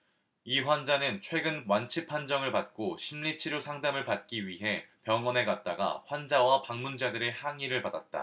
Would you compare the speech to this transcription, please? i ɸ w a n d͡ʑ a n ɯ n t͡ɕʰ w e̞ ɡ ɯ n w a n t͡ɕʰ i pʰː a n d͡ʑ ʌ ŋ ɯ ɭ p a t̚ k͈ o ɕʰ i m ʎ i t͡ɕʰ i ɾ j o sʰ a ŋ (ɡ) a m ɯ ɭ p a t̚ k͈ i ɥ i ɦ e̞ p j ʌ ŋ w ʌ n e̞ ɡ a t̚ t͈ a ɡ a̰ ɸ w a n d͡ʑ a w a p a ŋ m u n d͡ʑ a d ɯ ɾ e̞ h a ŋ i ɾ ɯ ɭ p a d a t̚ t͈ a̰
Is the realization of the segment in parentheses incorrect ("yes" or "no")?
yes